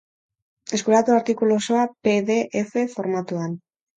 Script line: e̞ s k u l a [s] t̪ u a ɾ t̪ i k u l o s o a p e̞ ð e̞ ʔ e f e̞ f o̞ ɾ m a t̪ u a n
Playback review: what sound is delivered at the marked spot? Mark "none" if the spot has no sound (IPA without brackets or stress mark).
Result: none